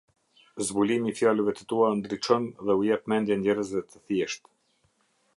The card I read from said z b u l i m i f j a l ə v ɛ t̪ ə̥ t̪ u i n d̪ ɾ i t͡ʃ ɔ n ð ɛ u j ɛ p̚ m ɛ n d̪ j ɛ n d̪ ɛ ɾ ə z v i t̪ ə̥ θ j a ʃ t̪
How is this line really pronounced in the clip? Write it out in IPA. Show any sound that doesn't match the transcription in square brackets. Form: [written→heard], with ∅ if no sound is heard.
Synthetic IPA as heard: z b u l i m i f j a l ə v ɛ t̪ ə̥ t̪ u [i→a] n d̪ ɾ i t͡ʃ ɔ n ð ɛ u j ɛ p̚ m ɛ n d̪ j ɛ n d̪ ɛ ɾ ə z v [i→ɛ] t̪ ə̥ θ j [a→ɛ] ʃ t̪